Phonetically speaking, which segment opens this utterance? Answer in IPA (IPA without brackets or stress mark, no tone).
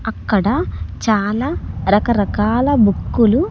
ɐ